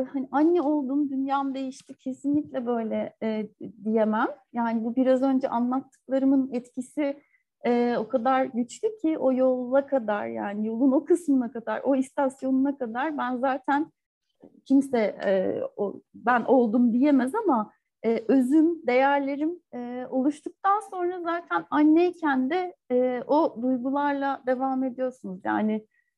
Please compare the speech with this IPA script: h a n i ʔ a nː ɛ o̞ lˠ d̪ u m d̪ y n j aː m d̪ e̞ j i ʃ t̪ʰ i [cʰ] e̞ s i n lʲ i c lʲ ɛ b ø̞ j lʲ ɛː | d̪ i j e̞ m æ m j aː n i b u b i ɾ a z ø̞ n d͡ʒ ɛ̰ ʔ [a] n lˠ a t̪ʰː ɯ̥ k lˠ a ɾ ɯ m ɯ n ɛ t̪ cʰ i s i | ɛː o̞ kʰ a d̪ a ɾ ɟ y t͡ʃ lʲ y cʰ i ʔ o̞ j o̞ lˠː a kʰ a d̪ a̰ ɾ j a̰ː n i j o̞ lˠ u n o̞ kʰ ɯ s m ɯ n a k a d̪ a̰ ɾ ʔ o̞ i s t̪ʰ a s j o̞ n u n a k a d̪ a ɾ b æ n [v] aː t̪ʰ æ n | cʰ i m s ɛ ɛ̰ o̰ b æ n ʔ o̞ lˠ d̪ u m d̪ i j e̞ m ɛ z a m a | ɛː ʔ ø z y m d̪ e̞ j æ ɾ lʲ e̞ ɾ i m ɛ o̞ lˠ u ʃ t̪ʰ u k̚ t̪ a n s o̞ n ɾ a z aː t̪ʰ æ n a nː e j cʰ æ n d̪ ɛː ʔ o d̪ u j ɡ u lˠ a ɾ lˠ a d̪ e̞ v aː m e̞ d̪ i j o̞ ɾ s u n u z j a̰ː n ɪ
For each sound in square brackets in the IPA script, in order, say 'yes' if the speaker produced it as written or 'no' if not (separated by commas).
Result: yes, yes, no